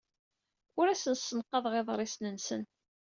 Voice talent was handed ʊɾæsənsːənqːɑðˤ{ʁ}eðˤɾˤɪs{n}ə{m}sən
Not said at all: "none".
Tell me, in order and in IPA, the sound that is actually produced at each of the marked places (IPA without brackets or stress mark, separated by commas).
ʁ, n, n